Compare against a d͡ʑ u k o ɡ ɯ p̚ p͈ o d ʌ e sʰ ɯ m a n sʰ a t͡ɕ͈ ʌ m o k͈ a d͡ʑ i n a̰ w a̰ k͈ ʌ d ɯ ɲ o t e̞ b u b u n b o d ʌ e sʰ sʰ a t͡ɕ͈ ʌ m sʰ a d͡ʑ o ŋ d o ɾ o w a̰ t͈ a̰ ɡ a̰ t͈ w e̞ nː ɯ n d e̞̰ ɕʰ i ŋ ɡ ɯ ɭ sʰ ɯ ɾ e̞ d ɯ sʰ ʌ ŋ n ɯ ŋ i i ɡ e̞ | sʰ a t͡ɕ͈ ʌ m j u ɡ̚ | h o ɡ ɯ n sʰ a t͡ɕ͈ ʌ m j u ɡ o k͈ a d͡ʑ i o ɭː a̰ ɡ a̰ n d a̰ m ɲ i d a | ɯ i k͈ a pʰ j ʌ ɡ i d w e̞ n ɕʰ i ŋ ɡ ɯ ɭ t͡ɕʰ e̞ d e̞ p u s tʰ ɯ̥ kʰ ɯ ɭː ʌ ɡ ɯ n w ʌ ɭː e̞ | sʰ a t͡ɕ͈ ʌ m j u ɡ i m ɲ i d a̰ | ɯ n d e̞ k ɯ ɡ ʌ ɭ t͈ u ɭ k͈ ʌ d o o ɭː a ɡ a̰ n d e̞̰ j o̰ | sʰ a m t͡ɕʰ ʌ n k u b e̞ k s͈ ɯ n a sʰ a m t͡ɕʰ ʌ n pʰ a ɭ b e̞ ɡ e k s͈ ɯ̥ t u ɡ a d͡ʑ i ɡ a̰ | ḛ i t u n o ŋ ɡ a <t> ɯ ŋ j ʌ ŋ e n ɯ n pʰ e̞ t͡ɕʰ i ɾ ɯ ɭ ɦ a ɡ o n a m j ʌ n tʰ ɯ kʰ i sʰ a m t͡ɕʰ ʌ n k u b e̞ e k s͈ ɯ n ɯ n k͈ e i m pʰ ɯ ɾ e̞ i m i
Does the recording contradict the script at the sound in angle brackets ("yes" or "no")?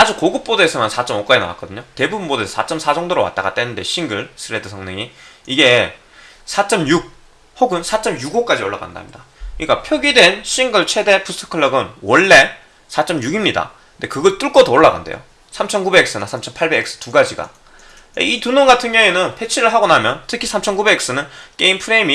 yes